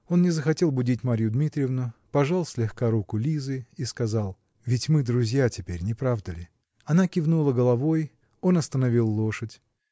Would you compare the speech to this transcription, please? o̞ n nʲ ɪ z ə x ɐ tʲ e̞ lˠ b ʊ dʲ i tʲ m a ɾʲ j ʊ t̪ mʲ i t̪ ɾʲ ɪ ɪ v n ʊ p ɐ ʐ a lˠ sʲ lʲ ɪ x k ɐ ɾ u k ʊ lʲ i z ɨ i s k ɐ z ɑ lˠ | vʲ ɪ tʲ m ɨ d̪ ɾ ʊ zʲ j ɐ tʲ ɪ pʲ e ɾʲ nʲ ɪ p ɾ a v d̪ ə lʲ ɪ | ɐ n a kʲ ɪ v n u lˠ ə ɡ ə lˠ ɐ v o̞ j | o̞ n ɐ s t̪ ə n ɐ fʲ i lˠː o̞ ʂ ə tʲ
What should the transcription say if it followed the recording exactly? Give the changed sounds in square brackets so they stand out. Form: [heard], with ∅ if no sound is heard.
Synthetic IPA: o̞ n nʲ ɪ z ə x ɐ tʲ e̞ lˠ b ʊ dʲ i tʲ m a ɾʲ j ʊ [d̪] mʲ i t̪ ɾʲ ɪ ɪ v n ʊ p ɐ ʐ a lˠ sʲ lʲ ɪ x k [a] ɾ u k ʊ lʲ i z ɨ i s k ɐ z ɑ lˠ | vʲ ɪ tʲ m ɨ d̪ ɾ ʊ zʲ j [a] tʲ ɪ pʲ e ɾʲ nʲ ɪ p ɾ a v d̪ ə lʲ ɪ | ɐ n a kʲ ɪ v n u lˠ ə ɡ ə lˠ ɐ v o̞ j | o̞ n ɐ s t̪ ə n ɐ [vʲ] i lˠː o̞ ʂ ə tʲ